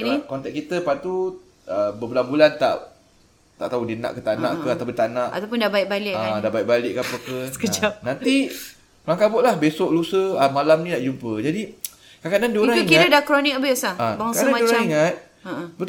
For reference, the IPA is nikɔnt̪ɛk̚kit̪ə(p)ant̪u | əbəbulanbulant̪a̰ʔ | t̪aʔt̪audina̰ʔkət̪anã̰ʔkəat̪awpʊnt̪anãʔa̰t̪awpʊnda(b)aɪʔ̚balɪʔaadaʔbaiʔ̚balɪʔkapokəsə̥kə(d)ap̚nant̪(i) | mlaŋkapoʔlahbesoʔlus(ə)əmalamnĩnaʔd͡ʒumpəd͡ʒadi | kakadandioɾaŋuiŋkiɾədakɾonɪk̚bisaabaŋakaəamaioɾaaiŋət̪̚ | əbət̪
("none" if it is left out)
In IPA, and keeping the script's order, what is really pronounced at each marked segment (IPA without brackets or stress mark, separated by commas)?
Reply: p, b, d͡ʒ, i, ə